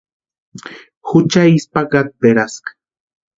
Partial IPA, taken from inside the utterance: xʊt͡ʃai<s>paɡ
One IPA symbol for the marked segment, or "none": s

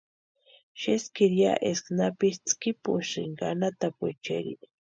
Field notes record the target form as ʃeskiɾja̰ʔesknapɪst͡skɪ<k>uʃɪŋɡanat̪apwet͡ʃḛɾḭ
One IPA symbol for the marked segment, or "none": p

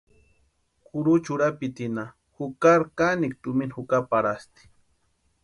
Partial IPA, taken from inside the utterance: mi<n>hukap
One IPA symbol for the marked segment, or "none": n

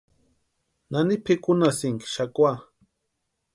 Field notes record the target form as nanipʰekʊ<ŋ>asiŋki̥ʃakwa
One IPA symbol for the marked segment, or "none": n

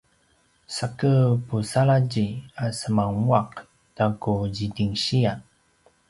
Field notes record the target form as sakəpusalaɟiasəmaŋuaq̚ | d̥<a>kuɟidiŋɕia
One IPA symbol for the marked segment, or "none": a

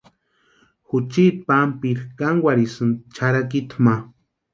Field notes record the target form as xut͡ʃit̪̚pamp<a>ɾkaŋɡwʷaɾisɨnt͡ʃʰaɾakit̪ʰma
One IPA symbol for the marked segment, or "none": i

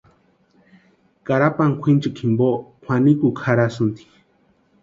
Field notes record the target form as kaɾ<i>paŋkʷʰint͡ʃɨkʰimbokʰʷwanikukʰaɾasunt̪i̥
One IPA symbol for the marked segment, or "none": a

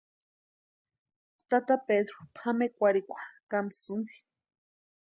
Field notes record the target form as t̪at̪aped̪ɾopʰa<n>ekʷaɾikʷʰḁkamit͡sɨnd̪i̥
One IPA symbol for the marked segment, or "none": m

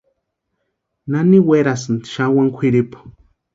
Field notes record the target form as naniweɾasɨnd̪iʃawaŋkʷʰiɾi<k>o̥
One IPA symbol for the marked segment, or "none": p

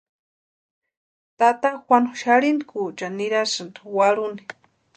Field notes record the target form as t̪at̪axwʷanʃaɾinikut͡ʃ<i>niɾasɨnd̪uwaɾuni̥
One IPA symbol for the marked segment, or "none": a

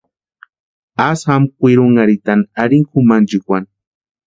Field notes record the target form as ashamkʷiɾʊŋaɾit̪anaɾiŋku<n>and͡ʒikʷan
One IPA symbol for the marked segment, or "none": m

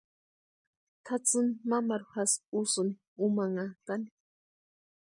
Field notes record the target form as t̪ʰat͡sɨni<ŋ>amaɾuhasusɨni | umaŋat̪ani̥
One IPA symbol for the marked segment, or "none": m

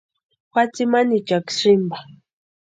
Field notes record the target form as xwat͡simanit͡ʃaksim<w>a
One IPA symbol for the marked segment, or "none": b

